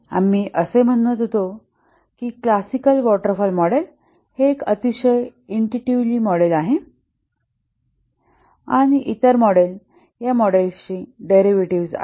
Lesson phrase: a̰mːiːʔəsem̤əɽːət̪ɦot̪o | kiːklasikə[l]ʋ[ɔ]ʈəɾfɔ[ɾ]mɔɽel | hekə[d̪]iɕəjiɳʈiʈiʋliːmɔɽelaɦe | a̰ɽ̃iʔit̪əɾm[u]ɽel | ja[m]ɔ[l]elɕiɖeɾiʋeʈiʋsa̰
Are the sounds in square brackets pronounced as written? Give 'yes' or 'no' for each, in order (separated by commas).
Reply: yes, yes, no, no, no, yes, no